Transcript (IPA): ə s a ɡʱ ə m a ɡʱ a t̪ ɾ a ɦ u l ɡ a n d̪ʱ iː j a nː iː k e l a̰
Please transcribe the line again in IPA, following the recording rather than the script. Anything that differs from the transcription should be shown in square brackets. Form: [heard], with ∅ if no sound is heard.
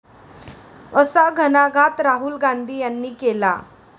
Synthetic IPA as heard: ə s a ɡʱ ə [n] a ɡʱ a t̪ ɾ a ɦ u l ɡ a n d̪ʱ iː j a nː iː k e l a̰